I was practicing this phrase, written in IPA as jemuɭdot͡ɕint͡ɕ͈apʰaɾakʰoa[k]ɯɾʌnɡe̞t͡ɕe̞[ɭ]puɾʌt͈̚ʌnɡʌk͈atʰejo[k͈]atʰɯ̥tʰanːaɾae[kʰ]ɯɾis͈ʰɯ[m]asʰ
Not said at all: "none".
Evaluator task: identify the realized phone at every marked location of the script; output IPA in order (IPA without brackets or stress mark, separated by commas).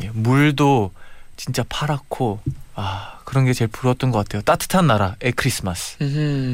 k, ɭ, t͈, kʰ, m